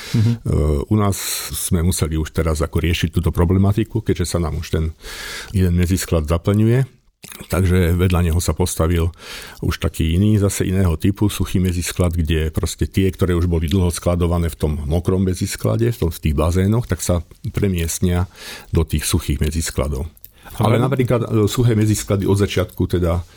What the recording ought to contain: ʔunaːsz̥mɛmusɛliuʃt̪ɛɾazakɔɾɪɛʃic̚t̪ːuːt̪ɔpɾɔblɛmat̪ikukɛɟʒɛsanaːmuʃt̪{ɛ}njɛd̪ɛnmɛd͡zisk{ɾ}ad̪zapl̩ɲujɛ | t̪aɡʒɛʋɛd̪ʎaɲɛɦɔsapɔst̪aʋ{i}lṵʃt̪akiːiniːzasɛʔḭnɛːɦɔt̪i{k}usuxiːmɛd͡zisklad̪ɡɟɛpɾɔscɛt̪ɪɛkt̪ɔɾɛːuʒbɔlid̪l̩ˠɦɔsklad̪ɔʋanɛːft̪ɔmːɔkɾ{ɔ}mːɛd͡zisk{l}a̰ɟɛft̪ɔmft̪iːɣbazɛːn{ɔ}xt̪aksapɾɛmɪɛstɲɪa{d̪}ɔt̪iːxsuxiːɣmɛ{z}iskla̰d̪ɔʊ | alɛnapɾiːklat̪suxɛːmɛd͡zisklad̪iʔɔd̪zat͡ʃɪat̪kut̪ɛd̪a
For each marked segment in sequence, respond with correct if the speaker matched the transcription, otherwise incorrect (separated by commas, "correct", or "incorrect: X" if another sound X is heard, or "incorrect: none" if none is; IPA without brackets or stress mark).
correct, incorrect: l, correct, incorrect: p, correct, correct, correct, correct, incorrect: d͡z